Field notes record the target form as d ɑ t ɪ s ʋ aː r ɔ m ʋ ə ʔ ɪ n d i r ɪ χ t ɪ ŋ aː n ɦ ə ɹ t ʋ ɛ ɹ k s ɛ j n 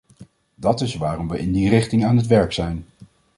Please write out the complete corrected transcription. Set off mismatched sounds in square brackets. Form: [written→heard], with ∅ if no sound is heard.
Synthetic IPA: d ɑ t ɪ s ʋ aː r ɔ m ʋ ə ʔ ɪ n d i r ɪ χ t ɪ ŋ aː n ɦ ə [ɹ→∅] t ʋ ɛ ɹ k s ɛ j n

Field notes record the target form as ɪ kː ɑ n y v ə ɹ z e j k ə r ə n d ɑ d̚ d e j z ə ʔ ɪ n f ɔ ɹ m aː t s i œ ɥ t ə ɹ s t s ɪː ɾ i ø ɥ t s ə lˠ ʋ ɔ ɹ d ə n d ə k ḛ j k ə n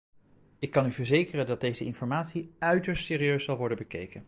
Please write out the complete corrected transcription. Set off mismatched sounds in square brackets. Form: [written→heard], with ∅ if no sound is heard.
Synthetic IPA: ɪ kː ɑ n y v ə ɹ z e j k ə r ə n d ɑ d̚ d e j z ə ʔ ɪ n f ɔ ɹ m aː t s i œ ɥ t ə ɹ s t s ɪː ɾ i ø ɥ [t→s] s [ə→ɑ] lˠ ʋ ɔ ɹ d ə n [d→b] ə k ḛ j k ə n

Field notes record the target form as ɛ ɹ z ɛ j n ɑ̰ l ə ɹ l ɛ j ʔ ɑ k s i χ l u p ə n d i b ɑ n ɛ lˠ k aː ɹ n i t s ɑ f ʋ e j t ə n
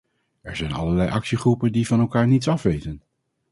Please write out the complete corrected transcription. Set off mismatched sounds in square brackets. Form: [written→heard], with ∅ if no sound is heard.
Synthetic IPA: ɛ ɹ z ɛ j n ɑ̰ l ə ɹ l ɛ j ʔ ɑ k s i χ [l→r] u p ə n d i [b→v] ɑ n ɛ lˠ k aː ɹ n i t s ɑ f ʋ e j t ə n

